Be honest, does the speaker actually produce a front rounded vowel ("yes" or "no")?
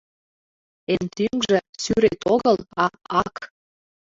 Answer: yes